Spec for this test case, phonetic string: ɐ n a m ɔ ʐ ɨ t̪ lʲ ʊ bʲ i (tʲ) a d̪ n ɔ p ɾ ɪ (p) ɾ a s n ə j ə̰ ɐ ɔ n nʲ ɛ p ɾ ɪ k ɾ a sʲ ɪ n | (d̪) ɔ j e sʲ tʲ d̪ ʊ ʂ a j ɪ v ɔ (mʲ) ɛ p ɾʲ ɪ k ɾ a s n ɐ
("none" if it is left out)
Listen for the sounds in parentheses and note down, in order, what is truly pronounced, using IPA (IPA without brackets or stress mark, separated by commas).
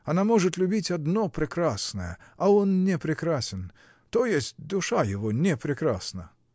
tʲ, k, t̪, nʲ